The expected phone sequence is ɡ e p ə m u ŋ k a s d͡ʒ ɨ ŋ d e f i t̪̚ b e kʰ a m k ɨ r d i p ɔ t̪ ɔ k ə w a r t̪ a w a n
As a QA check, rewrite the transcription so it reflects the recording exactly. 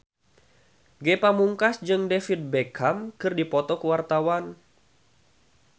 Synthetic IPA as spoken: ɡ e p a m u ŋ k a s d͡ʒ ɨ ŋ d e f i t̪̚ b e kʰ a m k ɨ r d i p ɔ t̪ ɔ k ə w a r t̪ a w a n